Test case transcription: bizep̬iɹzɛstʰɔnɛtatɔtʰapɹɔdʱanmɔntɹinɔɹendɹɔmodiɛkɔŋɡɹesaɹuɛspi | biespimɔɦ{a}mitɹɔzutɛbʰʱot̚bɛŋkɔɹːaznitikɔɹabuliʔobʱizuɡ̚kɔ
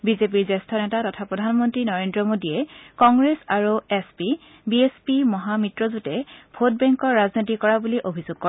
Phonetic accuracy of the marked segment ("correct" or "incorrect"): correct